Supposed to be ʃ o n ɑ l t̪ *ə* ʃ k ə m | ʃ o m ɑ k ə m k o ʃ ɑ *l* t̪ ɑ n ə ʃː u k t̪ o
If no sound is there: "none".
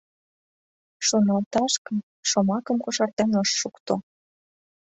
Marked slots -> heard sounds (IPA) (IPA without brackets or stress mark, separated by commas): ɑ, r